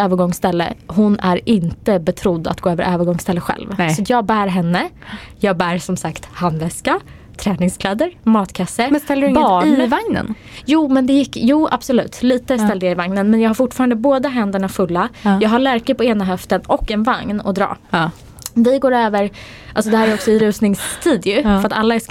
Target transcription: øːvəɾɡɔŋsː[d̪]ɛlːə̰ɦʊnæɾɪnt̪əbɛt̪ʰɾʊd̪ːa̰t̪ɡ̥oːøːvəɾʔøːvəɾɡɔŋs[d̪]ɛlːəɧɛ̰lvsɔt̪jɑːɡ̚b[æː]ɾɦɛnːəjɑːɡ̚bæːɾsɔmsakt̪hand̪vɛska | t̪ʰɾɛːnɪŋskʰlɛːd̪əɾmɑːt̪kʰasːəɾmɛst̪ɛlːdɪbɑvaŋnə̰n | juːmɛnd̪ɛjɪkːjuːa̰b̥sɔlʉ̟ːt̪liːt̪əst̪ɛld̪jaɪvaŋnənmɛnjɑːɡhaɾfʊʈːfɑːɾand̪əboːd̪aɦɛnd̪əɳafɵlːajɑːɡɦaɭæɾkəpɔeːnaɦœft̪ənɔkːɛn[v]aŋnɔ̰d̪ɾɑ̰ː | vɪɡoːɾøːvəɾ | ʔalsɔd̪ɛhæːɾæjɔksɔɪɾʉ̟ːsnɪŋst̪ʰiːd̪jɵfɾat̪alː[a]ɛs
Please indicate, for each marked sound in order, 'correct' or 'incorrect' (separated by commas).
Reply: incorrect, incorrect, correct, correct, correct